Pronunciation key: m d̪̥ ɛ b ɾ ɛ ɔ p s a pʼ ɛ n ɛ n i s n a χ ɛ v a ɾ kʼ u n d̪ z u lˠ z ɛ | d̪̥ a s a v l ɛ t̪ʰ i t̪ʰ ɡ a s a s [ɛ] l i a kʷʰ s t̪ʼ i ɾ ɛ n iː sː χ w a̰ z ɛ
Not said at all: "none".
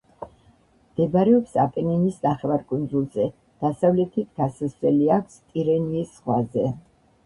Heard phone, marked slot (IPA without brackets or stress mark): ɛ